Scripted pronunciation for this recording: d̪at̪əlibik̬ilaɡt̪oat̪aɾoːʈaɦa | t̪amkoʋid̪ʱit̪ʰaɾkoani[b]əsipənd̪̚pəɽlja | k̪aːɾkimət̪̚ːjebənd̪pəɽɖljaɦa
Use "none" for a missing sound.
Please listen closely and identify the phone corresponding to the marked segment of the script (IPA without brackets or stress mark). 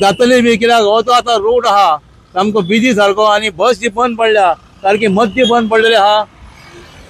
b